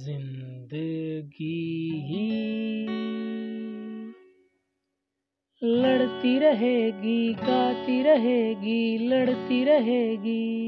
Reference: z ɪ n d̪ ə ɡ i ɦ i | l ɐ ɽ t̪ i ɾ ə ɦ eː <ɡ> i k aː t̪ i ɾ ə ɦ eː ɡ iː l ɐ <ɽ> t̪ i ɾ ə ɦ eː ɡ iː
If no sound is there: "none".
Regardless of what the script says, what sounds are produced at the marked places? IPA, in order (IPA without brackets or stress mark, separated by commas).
ɡ, ɽ